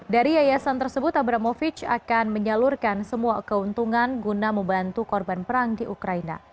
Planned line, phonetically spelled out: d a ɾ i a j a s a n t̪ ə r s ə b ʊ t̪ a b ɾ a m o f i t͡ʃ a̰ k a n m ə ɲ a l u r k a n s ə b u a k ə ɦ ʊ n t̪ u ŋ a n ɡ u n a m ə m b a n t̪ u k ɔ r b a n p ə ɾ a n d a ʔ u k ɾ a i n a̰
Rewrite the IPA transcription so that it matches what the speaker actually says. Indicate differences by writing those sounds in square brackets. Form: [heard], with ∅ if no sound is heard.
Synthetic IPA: d a ɾ i a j a s a n t̪ ə r s ə b ʊ t̪ a b ɾ a m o f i t͡ʃ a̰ k a n m ə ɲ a l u r k a n s ə [m] u a k ə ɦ [u] n t̪ u ŋ a n ɡ u n a m ə m b a n t̪ u k ɔ r b a n p ə ɾ a [ŋ] d [i] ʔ u k ɾ a i n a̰